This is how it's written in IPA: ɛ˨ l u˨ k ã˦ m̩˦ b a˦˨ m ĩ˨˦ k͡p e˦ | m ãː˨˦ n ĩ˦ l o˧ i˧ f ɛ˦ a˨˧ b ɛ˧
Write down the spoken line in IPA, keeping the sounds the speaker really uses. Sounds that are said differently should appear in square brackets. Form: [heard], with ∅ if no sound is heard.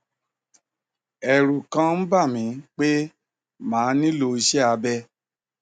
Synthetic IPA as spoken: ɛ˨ [ɾ] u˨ k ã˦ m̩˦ b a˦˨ m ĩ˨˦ k͡p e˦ | m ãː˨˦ n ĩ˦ l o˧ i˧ [ʃ] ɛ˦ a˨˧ b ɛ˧